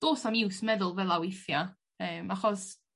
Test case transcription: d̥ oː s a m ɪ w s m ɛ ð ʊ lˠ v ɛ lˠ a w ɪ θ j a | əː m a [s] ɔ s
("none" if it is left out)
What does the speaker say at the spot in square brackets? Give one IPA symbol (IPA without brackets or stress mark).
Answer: χ